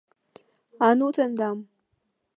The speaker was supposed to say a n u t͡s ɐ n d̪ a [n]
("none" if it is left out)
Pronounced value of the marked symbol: m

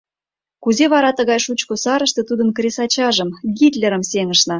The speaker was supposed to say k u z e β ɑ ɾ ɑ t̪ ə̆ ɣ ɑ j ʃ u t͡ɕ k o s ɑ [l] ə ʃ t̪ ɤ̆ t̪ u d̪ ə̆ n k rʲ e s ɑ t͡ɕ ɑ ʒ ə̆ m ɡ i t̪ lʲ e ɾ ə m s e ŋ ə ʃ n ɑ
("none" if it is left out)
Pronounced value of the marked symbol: ɾ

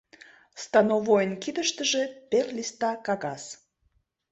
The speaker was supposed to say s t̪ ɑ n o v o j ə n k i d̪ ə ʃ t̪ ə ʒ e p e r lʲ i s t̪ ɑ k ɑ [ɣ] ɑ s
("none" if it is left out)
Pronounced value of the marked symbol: ɣ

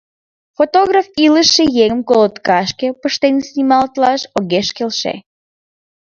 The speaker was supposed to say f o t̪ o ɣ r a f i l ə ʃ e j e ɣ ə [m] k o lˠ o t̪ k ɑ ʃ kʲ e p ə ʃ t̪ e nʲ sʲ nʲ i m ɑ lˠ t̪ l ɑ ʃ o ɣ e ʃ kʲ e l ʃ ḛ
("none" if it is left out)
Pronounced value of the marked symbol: m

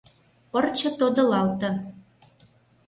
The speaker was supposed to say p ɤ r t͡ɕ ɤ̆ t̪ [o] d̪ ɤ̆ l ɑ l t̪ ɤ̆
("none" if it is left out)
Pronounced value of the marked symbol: o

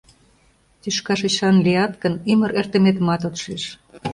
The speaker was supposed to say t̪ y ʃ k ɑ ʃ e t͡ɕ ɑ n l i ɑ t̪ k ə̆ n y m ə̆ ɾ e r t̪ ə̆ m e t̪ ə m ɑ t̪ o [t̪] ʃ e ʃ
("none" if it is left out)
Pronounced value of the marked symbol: t̪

